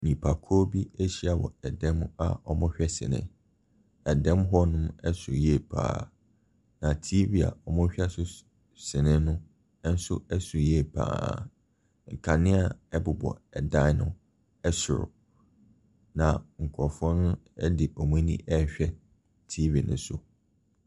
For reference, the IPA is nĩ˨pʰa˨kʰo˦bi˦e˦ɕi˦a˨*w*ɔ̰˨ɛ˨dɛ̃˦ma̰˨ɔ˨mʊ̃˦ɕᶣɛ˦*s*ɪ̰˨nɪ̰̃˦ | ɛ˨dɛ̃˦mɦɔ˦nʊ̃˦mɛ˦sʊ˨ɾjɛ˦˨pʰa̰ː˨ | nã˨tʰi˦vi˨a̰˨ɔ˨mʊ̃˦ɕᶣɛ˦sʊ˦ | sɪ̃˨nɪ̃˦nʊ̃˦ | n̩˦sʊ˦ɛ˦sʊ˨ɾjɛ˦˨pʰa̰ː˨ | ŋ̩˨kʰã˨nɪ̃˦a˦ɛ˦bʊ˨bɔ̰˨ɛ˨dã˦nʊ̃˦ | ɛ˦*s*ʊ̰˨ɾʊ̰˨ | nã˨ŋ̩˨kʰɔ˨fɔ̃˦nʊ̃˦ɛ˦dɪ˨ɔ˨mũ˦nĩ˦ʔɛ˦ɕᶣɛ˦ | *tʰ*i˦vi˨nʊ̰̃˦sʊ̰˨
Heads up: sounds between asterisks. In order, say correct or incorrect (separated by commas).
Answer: correct, correct, correct, correct